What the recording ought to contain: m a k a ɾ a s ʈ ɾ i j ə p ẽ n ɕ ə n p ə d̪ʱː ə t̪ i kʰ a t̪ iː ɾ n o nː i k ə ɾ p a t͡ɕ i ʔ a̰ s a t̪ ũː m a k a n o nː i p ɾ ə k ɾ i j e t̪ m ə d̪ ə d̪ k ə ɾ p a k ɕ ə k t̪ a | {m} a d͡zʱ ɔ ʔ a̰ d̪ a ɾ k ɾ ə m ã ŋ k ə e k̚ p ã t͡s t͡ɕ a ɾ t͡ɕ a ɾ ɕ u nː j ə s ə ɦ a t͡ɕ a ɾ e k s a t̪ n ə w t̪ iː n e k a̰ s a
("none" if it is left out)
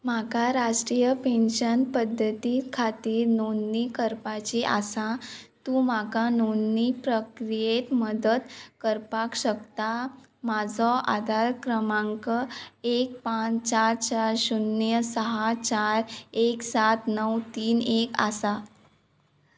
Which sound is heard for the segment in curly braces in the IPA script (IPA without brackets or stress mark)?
m